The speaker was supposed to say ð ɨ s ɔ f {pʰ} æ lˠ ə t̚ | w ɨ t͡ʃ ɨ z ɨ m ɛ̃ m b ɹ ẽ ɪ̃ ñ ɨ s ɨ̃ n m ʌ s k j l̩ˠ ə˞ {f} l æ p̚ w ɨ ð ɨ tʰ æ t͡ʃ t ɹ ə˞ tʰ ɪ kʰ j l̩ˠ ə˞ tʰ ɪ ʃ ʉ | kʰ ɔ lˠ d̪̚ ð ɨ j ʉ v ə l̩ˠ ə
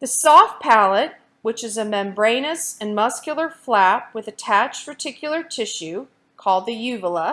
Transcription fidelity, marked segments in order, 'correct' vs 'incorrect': correct, correct

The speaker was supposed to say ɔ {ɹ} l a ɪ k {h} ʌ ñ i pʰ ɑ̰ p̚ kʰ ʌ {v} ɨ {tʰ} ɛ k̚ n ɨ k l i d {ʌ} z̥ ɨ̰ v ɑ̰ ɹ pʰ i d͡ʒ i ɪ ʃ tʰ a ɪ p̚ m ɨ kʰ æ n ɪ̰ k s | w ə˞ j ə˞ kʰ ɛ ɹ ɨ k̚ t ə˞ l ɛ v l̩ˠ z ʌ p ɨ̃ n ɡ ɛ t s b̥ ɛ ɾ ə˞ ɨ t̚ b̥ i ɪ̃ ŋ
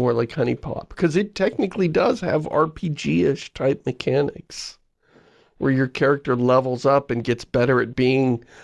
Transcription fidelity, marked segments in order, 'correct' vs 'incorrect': correct, correct, incorrect: z, correct, correct

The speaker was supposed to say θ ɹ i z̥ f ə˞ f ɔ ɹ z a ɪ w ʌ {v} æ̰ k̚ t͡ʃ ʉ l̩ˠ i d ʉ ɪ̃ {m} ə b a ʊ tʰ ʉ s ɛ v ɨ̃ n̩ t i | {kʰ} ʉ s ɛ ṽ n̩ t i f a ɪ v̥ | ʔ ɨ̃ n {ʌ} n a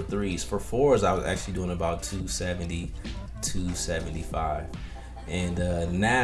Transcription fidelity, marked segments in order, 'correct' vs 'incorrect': incorrect: z, incorrect: ŋ, incorrect: tʰ, correct

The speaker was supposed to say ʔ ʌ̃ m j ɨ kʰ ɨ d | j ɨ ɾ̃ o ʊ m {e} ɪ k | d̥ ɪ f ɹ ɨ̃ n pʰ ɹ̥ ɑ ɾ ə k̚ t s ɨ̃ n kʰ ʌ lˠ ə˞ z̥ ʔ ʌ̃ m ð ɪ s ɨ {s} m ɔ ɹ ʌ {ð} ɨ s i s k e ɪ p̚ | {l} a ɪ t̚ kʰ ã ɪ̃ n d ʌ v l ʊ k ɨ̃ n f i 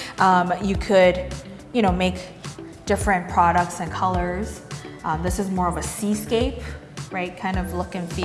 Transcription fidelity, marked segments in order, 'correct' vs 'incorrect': correct, incorrect: z, incorrect: v, incorrect: ɹ

